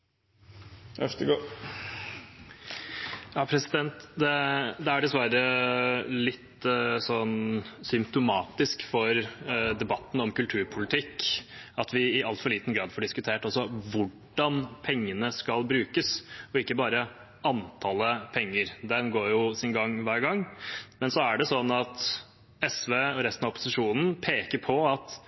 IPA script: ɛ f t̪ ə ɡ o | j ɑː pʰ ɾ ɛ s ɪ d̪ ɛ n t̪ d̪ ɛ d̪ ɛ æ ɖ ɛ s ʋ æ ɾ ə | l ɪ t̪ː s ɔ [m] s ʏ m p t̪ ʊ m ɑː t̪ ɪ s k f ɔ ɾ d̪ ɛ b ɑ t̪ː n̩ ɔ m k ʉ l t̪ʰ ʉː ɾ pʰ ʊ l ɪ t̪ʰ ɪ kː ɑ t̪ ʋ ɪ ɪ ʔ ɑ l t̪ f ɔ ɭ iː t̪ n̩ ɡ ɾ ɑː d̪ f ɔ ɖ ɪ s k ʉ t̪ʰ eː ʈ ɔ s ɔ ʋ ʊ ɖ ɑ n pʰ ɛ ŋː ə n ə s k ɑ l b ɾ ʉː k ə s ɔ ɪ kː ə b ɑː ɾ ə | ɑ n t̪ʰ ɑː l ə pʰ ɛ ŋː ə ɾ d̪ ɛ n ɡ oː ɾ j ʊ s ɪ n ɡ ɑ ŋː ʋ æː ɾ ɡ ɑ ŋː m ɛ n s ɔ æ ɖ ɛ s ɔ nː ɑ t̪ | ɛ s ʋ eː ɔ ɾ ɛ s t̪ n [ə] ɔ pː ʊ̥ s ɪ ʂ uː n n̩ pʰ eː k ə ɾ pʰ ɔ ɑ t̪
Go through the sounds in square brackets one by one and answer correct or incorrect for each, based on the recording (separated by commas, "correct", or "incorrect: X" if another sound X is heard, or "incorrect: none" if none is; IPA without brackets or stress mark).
incorrect: n, incorrect: ɑ